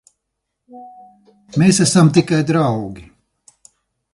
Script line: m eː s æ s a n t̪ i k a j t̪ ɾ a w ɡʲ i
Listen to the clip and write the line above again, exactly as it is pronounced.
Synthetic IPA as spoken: m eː s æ s a m t̪ i k a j d̪ ɾ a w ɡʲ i